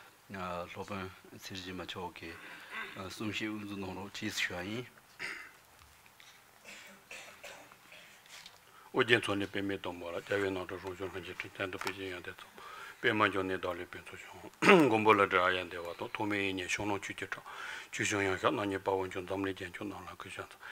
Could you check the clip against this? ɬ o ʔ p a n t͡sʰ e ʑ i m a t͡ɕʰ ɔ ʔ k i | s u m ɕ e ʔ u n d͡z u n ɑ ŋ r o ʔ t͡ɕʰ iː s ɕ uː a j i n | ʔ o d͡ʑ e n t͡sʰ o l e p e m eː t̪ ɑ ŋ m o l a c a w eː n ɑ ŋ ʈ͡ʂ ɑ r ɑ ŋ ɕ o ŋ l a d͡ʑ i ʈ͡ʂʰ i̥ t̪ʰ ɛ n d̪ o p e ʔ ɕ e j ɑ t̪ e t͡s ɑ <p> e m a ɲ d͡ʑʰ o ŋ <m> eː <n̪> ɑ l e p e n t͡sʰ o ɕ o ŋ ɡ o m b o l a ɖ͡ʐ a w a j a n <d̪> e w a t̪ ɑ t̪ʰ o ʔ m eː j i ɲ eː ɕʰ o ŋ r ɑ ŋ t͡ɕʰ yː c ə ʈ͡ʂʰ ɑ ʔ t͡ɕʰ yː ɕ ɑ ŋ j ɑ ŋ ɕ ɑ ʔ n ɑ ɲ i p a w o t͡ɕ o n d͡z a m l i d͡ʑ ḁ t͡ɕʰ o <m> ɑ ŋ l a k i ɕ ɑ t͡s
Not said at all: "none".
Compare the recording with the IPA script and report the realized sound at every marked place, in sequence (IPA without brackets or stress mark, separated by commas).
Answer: p, n, d̪, d̪, n